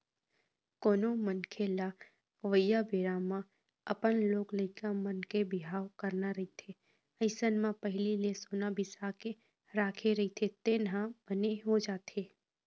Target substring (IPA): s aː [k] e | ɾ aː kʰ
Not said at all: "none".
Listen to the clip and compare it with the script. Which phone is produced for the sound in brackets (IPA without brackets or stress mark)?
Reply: k